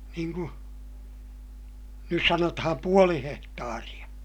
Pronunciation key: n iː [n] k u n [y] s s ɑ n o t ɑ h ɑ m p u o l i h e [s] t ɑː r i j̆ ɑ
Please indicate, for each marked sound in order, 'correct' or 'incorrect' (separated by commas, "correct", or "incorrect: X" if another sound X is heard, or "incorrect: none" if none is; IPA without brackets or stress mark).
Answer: incorrect: ŋ, correct, incorrect: h